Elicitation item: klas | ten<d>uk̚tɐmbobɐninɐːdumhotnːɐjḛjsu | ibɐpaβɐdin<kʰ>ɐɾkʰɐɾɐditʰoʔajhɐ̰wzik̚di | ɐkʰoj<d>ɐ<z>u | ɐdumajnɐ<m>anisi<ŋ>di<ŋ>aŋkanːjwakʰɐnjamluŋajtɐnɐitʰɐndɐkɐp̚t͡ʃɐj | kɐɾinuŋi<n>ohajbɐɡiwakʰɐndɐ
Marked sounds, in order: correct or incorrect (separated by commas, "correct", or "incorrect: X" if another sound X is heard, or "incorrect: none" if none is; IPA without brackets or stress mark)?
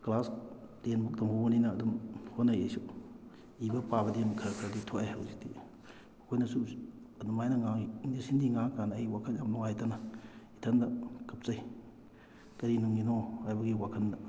incorrect: b, correct, incorrect: n, incorrect: s, incorrect: ŋ, incorrect: n, correct, correct